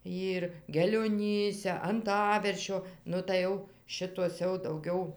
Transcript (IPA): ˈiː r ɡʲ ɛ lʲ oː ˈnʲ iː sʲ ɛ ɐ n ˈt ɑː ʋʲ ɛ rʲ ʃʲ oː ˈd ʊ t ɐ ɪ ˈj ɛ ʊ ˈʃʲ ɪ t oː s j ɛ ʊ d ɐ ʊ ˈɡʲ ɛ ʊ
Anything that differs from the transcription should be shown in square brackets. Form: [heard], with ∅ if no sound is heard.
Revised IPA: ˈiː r ɡʲ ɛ lʲ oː ˈnʲ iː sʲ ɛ ɐ n ˈt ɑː ʋʲ ɛ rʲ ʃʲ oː [ˈn] ʊ t ɐ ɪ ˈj ɛ ʊ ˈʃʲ ɪ t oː s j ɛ ʊ d ɐ ʊ ˈɡʲ ɛ ʊ